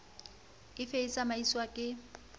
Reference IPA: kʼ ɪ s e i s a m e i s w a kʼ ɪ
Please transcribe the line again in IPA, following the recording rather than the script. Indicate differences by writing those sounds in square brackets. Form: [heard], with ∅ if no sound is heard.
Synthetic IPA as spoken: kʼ ɪ [f] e i s a m [a] i s w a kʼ ɪ